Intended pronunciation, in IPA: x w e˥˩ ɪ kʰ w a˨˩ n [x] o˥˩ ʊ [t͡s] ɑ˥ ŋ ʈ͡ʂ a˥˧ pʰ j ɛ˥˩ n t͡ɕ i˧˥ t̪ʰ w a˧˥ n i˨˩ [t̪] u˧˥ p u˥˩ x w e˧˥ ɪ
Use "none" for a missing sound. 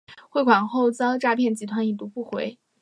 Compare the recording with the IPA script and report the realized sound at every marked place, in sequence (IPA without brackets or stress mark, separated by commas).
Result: x, t͡s, t̪